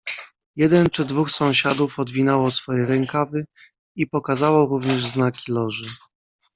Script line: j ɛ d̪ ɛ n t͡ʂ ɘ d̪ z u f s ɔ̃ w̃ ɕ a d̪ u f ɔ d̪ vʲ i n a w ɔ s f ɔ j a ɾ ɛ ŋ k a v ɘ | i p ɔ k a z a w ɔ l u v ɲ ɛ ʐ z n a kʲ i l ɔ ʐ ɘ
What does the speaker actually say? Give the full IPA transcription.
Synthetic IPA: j ɛ d̪ ɛ n t͡ʂ ɘ d̪ v u x s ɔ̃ w̃ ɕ a d̪ u f ɔ d̪ vʲ i n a w ɔ s f ɔ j ɛ ɾ ɛ ŋ k a v ɘ | i p ɔ k a z a w ɔ ɾ u v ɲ ɛ ʐ z n a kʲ i l ɔ ʐ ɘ